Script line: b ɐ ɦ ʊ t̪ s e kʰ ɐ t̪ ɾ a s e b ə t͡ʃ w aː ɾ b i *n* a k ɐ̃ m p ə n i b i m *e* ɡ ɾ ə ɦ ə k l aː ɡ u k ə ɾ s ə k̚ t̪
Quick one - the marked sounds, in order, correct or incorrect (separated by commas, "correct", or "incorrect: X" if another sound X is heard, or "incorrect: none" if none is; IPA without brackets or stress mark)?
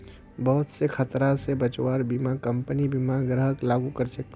incorrect: m, incorrect: a